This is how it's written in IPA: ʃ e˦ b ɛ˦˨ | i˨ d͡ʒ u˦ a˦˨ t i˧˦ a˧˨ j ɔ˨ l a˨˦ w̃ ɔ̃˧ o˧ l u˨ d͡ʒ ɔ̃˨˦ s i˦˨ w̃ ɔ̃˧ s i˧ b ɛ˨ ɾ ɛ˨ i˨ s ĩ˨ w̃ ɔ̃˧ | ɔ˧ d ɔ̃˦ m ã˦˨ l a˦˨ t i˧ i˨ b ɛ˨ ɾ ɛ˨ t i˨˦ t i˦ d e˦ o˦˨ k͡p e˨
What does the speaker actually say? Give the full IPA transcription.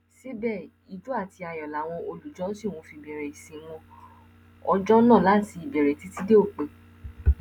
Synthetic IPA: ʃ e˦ b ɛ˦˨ | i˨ d͡ʒ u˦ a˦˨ t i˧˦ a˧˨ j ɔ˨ l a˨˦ w̃ ɔ̃˧ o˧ l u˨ d͡ʒ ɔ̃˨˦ s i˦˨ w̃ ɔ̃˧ f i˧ b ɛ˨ ɾ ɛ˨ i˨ s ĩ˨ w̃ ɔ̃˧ | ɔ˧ d͡ʒ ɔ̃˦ n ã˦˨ l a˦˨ t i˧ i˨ b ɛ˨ ɾ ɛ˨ t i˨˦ t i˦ d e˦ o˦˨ k͡p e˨